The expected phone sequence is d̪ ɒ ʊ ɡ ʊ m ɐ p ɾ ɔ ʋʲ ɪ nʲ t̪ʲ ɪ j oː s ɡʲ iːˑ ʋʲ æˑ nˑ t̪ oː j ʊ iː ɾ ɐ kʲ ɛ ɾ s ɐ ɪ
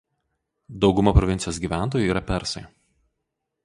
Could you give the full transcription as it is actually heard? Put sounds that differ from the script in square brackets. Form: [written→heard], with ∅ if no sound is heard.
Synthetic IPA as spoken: d̪ ɒ ʊ ɡ ʊ m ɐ p ɾ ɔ ʋʲ ɪ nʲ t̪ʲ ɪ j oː s ɡʲ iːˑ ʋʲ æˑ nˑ t̪ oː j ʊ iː ɾ ɐ [kʲ→pʲ] ɛ ɾ s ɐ ɪ

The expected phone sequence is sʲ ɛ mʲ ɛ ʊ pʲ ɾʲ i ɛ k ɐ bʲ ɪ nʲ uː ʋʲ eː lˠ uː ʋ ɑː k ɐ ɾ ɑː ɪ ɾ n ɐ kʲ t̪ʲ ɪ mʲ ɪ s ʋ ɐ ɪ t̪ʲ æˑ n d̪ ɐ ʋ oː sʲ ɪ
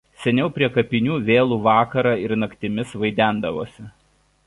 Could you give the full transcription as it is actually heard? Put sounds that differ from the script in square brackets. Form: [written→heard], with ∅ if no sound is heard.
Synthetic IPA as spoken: sʲ ɛ [mʲ→nʲ] ɛ ʊ pʲ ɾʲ i ɛ k ɐ [bʲ→pʲ] ɪ nʲ uː ʋʲ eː lˠ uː ʋ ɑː k ɐ ɾ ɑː ɪ ɾ n ɐ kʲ t̪ʲ ɪ mʲ ɪ s ʋ ɐ ɪ [t̪ʲ→d̪ʲ] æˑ n d̪ ɐ ʋ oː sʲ ɪ

